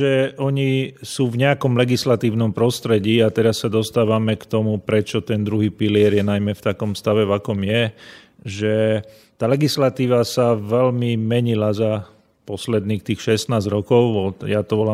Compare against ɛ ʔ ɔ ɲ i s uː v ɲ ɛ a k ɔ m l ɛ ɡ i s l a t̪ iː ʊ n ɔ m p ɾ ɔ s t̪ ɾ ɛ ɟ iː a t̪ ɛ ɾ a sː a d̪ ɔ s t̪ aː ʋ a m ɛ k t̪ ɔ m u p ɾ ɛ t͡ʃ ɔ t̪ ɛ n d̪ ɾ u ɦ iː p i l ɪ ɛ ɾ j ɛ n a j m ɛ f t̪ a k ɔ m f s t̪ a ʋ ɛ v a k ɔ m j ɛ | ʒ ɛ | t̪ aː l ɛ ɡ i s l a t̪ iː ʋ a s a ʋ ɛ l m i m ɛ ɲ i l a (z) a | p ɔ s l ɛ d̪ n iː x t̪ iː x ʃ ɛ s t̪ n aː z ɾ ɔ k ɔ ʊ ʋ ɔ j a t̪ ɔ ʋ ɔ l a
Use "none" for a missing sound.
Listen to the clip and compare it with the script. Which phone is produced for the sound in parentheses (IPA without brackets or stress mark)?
z